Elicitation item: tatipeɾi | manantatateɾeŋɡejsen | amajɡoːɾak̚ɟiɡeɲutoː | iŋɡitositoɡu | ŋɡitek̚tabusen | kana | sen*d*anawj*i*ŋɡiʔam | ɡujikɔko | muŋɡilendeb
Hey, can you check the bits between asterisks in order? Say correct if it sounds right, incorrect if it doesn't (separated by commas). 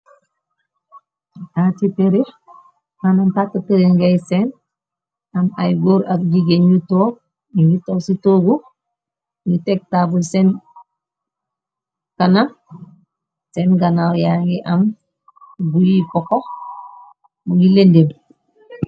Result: incorrect, incorrect